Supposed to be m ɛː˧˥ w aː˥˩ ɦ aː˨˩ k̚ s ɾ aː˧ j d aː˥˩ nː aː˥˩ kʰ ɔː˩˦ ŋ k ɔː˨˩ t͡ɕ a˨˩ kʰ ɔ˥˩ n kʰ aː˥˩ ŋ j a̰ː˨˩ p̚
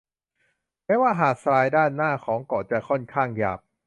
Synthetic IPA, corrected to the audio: m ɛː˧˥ w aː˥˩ ɦ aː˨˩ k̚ s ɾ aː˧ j d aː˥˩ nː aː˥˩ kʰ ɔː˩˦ ŋ k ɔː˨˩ t͡ɕ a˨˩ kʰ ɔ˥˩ n kʰ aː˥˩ ŋ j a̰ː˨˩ p̚